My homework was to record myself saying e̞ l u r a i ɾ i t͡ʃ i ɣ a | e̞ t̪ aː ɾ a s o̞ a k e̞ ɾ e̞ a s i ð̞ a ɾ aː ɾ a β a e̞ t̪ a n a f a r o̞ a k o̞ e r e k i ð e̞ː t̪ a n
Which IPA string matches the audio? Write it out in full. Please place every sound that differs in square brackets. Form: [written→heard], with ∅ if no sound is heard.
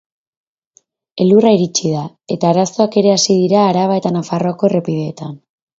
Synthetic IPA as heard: e̞ l u r a i ɾ i t͡ʃ i [ɣ→ð] a | e̞ t̪ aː ɾ a s o̞ a k e̞ ɾ e̞ a s i ð̞ [a→i] ɾ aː ɾ a β a e̞ t̪ a n a f a r o̞ a k o̞ e r e [k→p] i ð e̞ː t̪ a n